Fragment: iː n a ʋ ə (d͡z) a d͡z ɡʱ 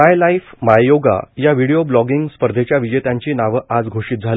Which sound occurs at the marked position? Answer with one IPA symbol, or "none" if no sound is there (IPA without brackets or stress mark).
none